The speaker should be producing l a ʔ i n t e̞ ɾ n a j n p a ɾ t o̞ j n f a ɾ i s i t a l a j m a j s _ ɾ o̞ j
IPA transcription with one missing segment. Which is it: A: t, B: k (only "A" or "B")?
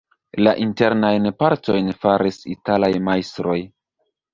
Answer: A